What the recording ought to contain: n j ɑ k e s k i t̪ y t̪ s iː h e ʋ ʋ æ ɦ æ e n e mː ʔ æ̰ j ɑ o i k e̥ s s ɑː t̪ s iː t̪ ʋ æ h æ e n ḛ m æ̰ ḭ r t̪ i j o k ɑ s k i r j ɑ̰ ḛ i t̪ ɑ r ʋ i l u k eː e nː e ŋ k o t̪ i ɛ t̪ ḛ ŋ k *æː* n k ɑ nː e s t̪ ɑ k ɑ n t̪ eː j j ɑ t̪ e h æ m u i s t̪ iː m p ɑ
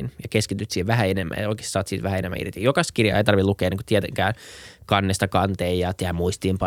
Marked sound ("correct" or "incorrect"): correct